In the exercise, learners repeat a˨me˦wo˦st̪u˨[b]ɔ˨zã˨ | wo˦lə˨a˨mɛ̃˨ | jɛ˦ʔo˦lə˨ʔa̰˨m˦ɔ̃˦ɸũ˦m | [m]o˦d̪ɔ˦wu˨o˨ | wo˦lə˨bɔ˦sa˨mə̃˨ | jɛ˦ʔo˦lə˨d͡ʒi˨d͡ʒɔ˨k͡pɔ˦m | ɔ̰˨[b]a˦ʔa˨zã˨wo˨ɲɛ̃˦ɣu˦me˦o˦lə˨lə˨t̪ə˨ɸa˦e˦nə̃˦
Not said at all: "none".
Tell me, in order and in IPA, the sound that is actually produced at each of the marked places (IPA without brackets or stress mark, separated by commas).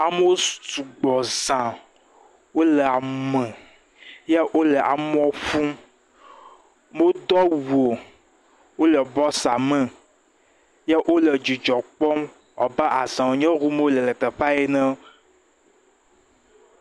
ɡ͡b, m, b